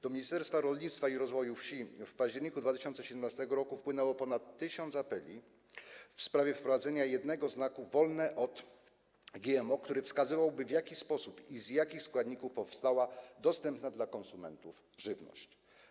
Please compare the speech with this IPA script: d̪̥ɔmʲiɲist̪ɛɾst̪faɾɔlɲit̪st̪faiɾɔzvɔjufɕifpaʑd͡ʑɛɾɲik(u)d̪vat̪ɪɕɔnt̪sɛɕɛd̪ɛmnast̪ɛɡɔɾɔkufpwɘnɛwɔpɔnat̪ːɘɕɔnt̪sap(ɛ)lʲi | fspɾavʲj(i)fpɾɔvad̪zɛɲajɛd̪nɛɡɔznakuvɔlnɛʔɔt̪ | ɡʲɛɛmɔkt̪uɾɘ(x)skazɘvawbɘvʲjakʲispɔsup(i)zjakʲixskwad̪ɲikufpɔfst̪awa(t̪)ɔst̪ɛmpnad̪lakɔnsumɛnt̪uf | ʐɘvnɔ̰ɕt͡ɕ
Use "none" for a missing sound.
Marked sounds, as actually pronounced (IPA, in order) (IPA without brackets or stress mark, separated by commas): u, ɛ, ɛ, f, i, d̪